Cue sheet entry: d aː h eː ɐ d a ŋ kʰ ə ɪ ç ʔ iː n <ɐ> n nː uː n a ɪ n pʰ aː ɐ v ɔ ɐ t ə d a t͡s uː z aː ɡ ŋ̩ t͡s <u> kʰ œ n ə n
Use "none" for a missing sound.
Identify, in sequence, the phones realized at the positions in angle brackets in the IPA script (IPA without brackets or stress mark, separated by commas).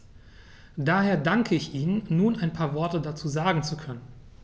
ə, u